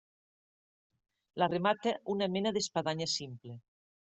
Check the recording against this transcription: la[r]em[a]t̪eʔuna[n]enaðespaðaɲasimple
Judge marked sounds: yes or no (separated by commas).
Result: yes, yes, no